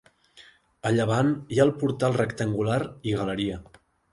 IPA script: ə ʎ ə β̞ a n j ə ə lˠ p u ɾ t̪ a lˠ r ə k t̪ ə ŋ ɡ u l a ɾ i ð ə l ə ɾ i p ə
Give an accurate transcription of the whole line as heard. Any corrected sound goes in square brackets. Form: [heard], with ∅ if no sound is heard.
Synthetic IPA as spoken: ə ʎ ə β̞ a n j [a] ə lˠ p u ɾ t̪ a lˠ r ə k t̪ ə ŋ ɡ u l a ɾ i [ɣ] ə l ə ɾ i [∅] ə